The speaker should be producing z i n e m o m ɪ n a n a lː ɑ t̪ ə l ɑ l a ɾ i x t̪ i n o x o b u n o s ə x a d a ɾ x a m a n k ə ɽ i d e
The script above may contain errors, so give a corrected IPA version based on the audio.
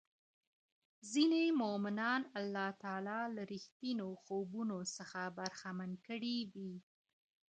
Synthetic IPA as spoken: z i n e m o m ɪ n ɑ n a lː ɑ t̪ ɑ l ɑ l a ɾ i x t̪ i n o x o b u n o s ə x a b a ɾ x a m a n k ə ɽ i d i